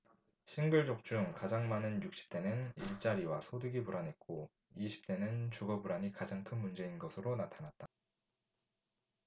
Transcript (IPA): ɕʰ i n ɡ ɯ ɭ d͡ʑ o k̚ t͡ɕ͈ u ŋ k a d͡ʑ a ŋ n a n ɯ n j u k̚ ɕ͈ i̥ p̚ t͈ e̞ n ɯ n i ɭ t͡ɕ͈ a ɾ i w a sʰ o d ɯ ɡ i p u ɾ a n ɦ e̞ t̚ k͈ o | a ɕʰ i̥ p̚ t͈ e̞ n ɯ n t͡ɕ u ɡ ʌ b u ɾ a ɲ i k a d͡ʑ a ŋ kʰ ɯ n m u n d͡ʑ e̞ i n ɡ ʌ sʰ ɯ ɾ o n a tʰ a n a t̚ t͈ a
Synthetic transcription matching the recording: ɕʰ i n ɡ ɯ ɭ d͡ʑ o k̚ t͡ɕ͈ u ŋ k a d͡ʑ a ŋ m a n ɯ n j u k̚ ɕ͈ i̥ p̚ t͈ e̞ n ɯ n i ɭ t͡ɕ͈ a ɾ i w a sʰ o d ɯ ɡ i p u ɾ a n ɦ e̞ t̚ k͈ o | i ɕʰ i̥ p̚ t͈ e̞ n ɯ n t͡ɕ u ɡ ʌ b u ɾ a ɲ i k a d͡ʑ a ŋ kʰ ɯ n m u n d͡ʑ e̞ i n ɡ ʌ sʰ ɯ ɾ o n a tʰ a n a t̚ t͈ a